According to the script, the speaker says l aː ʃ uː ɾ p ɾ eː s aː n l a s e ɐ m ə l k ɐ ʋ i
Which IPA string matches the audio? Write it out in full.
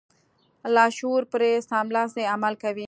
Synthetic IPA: l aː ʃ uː ɾ p ɾ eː s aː m l a s e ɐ m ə l k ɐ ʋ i